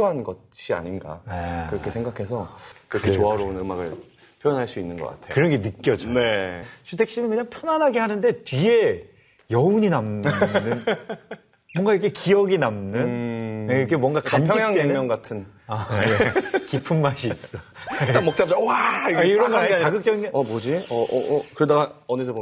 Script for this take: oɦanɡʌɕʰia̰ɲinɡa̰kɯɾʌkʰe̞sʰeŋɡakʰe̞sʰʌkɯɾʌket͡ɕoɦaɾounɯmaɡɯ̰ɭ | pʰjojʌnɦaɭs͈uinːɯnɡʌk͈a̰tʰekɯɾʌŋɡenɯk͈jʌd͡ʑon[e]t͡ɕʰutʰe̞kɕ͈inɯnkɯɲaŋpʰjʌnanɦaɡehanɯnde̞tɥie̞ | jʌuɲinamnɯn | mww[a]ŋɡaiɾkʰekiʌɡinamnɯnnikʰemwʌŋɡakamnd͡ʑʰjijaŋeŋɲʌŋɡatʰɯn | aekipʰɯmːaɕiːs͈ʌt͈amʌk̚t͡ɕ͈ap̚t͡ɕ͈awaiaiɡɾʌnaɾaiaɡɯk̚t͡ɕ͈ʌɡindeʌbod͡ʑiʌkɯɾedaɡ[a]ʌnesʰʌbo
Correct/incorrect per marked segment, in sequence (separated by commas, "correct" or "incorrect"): correct, incorrect, correct